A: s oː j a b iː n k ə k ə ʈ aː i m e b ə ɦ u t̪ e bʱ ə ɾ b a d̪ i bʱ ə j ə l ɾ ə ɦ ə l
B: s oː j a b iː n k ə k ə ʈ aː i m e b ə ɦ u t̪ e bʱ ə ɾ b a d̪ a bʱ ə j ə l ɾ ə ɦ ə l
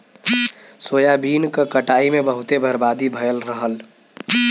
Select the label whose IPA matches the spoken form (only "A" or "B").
A